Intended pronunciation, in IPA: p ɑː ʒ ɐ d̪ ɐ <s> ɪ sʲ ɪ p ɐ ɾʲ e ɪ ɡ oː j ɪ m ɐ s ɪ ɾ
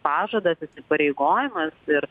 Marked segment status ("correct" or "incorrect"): correct